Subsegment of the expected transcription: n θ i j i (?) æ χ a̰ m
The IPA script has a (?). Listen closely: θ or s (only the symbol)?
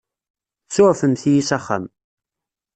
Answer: s